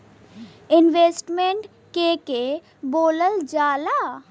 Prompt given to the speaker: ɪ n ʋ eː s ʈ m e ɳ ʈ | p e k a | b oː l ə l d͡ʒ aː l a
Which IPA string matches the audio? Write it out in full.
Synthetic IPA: ɪ n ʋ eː s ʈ m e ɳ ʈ | k e k e | b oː l ə l d͡ʒ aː l a